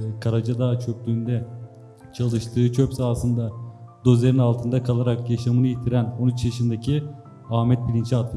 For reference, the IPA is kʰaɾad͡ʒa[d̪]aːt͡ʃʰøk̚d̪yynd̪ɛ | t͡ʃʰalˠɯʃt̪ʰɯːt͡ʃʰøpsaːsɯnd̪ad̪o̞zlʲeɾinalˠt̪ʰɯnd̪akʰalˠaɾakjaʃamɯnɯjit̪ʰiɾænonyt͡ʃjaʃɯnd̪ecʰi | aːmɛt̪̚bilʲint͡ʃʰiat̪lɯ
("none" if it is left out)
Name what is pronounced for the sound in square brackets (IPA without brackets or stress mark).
d̪